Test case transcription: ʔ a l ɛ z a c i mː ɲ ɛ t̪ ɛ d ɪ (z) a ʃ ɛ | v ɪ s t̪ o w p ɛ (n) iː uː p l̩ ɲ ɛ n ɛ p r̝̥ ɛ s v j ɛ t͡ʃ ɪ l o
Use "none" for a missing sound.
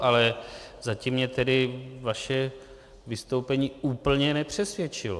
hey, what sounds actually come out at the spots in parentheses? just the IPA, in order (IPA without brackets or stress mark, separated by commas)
v, ɲ